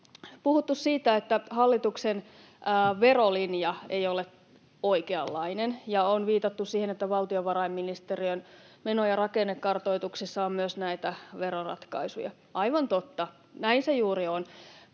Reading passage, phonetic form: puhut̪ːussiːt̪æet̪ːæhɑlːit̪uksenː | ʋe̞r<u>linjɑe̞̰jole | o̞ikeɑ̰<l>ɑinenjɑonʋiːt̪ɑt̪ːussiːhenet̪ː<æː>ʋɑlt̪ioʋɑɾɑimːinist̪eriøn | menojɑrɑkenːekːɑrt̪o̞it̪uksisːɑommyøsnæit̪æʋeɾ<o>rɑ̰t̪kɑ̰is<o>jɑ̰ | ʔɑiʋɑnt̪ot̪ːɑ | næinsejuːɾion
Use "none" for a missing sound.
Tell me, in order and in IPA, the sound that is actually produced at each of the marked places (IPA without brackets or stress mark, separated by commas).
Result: o, lː, æ, o, u